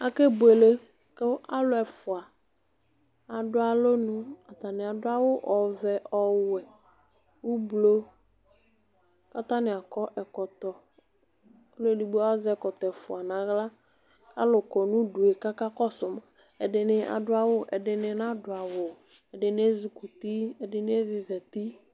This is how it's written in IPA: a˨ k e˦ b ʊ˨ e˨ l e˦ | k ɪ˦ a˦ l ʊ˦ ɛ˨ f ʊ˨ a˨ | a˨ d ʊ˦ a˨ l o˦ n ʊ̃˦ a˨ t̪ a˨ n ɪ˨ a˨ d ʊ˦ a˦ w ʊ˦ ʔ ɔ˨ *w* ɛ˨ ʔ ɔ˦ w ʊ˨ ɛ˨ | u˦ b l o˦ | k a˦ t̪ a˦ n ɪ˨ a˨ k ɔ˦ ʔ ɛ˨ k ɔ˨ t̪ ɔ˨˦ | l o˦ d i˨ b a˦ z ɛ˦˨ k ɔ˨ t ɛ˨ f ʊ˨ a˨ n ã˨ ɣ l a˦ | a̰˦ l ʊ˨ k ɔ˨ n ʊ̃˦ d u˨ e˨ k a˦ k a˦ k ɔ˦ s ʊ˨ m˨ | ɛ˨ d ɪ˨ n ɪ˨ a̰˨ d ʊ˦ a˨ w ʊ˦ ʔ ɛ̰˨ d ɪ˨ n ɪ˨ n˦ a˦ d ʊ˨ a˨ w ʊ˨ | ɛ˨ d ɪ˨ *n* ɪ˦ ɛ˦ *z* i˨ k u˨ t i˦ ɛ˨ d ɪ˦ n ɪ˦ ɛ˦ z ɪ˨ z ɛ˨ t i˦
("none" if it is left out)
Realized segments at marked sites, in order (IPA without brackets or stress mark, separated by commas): v, n, z